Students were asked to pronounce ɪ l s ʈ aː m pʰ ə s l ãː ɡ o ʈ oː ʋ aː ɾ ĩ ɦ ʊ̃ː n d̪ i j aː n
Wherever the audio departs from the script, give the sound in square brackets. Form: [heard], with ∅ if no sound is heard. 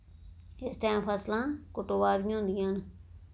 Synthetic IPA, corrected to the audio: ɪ [∅] s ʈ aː m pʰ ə s l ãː [k] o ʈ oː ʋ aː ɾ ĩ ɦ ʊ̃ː n d̪ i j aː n